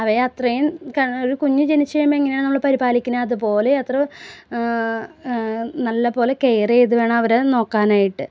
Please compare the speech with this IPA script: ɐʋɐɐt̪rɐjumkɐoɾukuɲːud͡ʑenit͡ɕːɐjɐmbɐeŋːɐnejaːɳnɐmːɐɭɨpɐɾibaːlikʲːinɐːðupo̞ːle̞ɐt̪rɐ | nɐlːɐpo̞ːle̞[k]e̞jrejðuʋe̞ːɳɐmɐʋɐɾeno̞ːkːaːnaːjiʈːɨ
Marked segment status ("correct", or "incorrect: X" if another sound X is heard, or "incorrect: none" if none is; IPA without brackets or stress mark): correct